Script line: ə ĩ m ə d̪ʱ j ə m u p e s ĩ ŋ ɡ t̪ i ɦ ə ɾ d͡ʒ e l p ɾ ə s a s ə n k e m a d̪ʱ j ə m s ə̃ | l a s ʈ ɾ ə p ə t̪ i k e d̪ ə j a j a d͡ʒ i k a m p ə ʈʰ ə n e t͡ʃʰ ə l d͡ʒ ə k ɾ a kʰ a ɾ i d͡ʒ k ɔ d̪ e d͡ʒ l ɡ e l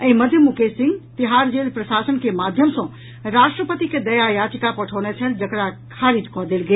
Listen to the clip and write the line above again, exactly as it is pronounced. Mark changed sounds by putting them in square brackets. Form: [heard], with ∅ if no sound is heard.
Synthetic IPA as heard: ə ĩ m ə d̪ʱ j ə m u [k] e s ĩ ŋ ɡ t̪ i ɦ [a] ɾ d͡ʒ e l p ɾ ə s a s ə n k e m a d̪ʱ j ə m s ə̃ | [ɾ] a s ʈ ɾ ə p ə t̪ i k e d̪ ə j a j a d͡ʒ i k a [∅] p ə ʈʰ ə n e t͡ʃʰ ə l d͡ʒ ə k ɾ a kʰ a ɾ i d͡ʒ k ɔ d̪ e [∅] l ɡ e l